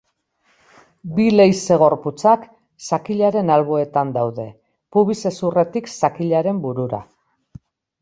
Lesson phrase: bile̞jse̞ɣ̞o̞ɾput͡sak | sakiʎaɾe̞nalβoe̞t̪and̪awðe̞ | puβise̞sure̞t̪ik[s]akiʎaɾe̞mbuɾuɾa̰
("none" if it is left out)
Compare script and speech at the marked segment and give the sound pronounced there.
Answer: s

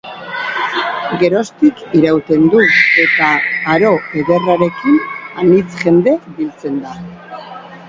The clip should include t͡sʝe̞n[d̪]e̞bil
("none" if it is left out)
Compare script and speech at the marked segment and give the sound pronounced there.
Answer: d̪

